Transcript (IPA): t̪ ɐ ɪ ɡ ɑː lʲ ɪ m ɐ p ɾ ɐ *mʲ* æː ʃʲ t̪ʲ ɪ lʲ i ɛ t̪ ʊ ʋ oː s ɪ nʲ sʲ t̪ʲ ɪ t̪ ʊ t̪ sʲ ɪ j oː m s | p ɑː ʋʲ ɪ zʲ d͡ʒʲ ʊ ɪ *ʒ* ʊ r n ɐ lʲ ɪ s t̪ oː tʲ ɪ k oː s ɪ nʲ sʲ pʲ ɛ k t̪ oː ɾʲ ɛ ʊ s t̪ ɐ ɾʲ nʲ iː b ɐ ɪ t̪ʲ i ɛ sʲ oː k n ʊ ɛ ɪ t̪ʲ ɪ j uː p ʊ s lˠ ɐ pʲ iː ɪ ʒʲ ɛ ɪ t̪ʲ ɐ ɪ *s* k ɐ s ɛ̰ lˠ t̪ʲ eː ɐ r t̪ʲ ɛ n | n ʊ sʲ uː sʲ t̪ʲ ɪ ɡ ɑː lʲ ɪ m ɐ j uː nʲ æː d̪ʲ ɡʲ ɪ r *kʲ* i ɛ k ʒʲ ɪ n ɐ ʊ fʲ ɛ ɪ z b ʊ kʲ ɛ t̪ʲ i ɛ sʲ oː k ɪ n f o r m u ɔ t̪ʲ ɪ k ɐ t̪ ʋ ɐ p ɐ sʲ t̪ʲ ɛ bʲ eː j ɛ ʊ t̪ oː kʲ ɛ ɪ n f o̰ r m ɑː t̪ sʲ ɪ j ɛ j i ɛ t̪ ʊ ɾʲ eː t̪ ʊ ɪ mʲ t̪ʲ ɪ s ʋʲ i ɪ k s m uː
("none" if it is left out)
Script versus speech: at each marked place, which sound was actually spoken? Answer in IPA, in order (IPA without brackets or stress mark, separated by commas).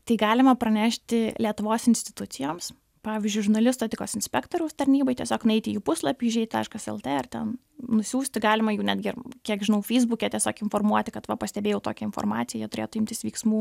nʲ, ʒ, ʃ, kʲ